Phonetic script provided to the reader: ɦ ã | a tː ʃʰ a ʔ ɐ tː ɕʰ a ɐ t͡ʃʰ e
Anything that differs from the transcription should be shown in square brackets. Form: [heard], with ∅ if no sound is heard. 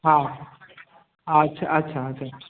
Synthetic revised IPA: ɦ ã | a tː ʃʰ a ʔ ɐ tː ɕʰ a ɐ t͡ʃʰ [a]